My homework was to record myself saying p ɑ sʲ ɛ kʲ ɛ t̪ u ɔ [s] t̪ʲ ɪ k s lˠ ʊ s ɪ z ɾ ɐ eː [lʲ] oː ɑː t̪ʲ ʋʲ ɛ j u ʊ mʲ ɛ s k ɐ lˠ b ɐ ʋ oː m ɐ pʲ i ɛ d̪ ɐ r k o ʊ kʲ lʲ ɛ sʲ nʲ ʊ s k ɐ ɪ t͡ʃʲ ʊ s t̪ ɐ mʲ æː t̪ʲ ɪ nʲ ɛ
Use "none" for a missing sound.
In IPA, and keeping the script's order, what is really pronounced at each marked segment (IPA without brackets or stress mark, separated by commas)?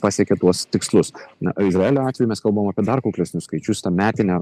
s, lʲ